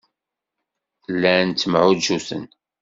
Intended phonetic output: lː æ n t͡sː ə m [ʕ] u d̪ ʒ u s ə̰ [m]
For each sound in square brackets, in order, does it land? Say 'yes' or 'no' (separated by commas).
yes, no